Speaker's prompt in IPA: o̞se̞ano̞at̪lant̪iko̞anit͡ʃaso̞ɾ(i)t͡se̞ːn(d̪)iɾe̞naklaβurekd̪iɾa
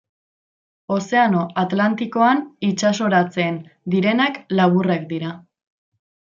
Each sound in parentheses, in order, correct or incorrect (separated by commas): incorrect, correct